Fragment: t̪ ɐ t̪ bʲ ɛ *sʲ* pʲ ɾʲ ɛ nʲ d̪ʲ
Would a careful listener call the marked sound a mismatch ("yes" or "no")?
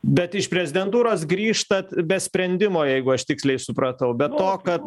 no